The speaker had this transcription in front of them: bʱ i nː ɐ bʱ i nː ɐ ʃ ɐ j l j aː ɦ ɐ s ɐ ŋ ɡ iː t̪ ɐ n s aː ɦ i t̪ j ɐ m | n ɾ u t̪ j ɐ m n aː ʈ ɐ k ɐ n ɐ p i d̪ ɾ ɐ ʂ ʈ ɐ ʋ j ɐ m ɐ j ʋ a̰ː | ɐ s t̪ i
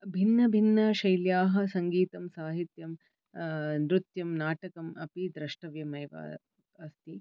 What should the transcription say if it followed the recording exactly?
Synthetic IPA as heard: bʱ i nː ɐ bʱ i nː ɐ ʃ ɐ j l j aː ɦ ɐ s ɐ ŋ ɡ iː t̪ ɐ m s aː ɦ i t̪ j ɐ m | n ɾ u t̪ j ɐ m n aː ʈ ɐ k ɐ m ɐ p i d̪ ɾ ɐ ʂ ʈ ɐ ʋ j ɐ m ɐ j ʋ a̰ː | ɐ s t̪ i